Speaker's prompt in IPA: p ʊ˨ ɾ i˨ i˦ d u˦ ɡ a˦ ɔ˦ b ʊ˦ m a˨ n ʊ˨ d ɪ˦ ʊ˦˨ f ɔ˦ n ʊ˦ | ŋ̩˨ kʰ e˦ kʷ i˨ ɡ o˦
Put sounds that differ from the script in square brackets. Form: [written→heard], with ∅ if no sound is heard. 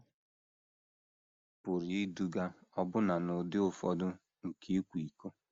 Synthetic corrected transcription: p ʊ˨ ɾ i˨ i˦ d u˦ ɡ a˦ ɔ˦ b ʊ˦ [m→n] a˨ n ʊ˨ d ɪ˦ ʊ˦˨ f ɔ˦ [n→d] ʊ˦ | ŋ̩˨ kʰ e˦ kʷ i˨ [ɡ→k] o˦